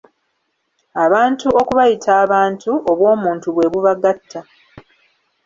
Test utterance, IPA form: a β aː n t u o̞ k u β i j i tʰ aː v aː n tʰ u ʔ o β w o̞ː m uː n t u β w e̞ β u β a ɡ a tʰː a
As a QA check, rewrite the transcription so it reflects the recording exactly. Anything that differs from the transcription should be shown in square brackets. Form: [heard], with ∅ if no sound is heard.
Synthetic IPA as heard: a β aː n t u o̞ k u β [a] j i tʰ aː [β] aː n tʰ u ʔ o β w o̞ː m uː n t u β w e̞ β u β a ɡ a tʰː a